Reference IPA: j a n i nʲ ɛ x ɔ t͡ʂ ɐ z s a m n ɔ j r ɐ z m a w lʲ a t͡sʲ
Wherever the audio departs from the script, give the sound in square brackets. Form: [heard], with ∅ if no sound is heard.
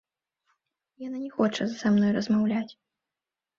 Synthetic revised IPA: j a n [a] nʲ ɛ x ɔ t͡ʂ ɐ z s a m n ɔ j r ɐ z m a w lʲ a t͡sʲ